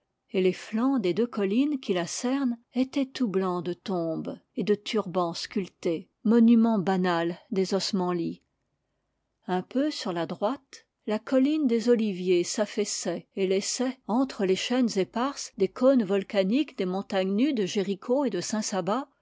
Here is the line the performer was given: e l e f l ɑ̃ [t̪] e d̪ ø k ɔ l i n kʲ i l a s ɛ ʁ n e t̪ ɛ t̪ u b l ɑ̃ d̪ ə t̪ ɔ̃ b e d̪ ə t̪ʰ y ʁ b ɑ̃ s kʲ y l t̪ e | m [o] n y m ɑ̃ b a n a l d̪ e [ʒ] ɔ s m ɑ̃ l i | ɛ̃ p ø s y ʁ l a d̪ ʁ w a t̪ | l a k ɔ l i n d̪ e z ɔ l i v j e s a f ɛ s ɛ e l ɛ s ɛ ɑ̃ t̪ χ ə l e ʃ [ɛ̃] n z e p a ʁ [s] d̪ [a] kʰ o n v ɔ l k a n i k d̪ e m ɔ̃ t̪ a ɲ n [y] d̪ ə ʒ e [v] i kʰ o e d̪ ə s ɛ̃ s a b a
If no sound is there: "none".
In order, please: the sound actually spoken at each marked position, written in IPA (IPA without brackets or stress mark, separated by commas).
d̪, ɔ, z, ɛ, s, e, y, ʁ